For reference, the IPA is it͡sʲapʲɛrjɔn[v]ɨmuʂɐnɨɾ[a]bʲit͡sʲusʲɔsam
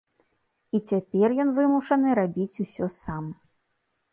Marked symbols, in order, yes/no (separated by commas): yes, yes